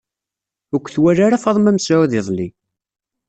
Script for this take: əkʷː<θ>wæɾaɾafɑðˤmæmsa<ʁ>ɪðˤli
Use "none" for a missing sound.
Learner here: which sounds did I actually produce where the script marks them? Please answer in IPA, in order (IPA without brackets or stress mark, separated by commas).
θ, ð